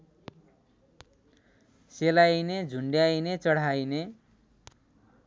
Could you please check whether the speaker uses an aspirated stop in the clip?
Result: no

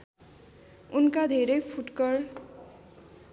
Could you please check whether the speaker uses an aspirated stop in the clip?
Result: yes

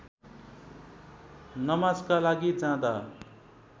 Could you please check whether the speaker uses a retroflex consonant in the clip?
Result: no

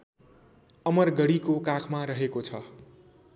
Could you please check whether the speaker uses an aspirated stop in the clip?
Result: yes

